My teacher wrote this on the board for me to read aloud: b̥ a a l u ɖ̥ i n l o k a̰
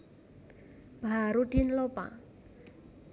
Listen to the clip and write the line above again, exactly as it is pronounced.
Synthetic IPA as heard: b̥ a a ɾ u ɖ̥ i n l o p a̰